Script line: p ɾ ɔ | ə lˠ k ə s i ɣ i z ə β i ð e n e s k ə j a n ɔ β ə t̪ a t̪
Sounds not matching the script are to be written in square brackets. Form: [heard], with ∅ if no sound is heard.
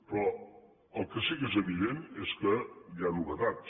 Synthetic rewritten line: p ɾ ɔ | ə lˠ k ə s i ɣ [e] z ə β i ð e n e s k ə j a n [u] β ə t̪ a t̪